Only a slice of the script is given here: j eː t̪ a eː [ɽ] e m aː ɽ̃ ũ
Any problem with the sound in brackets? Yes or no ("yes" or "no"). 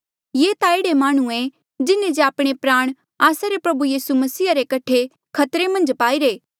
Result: no